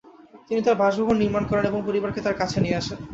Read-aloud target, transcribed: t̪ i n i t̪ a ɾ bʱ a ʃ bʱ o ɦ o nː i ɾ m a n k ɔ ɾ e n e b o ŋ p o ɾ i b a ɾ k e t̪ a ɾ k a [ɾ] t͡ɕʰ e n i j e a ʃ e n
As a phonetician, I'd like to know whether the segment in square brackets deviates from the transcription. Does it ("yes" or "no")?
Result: yes